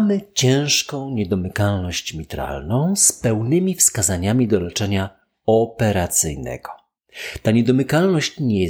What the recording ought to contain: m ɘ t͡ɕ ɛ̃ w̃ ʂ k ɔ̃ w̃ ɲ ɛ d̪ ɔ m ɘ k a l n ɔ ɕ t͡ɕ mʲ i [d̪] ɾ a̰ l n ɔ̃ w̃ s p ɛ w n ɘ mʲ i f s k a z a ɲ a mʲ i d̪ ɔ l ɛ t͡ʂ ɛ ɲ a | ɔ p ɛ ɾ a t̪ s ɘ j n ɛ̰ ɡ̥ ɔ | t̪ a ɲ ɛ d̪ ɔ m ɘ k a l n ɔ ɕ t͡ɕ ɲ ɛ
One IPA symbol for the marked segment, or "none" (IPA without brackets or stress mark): t̪